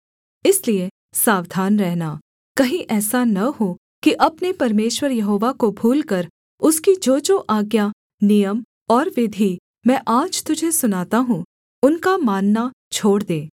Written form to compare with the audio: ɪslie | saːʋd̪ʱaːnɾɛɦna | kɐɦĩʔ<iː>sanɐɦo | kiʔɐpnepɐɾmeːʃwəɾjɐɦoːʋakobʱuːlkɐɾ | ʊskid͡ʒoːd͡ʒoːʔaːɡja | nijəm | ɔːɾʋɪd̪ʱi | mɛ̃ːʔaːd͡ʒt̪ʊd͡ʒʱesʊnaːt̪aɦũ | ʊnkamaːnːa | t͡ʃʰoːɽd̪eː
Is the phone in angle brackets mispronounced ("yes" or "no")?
yes